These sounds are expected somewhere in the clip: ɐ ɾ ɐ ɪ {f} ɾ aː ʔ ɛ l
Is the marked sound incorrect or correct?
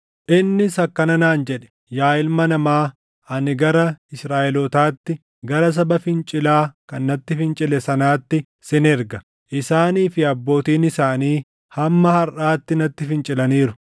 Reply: incorrect